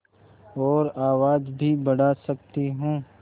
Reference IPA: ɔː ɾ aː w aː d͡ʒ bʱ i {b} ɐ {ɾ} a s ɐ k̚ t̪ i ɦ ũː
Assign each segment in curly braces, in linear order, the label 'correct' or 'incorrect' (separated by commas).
correct, incorrect